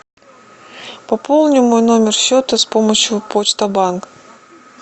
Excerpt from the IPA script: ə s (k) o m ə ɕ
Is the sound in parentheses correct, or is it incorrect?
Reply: incorrect